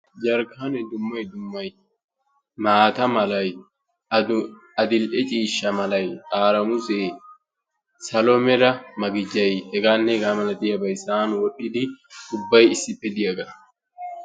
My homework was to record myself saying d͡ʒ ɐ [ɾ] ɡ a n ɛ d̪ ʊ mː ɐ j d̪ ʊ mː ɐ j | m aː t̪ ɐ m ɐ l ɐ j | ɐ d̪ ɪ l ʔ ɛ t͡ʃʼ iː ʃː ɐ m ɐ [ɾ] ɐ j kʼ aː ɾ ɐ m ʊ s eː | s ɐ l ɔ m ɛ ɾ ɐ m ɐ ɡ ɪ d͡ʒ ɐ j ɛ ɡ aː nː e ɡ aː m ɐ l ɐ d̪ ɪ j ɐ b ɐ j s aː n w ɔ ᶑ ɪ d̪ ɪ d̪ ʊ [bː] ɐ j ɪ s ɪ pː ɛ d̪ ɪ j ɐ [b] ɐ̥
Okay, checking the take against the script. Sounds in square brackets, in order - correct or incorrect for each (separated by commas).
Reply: correct, incorrect, correct, incorrect